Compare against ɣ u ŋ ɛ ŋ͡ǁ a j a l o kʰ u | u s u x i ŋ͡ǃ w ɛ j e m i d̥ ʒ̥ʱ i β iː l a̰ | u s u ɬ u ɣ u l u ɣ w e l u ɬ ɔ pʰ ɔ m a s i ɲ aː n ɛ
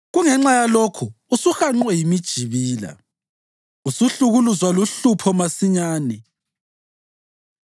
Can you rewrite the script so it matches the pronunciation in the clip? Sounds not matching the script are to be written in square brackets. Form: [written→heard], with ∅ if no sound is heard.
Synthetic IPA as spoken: ɣ u ŋ ɛ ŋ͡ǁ a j a l o kʰ u | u s u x [i→a] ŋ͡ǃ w ɛ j [e→i] m i d̥ ʒ̥ʱ i β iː l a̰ | u s u ɬ u ɣ u l u [ɣ→z] w [e→a] l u ɬ [ɔ→u] pʰ ɔ m a s i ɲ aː n ɛ